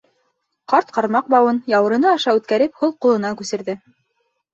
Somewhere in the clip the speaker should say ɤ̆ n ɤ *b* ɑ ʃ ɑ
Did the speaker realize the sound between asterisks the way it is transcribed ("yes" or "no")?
no